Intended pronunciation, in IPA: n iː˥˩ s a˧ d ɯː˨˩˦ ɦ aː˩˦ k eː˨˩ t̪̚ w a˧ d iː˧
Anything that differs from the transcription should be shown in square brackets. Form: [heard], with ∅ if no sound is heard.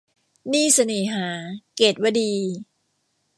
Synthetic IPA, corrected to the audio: n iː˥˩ s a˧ [n] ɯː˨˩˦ ɦ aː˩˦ k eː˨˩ t̪̚ w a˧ d iː˧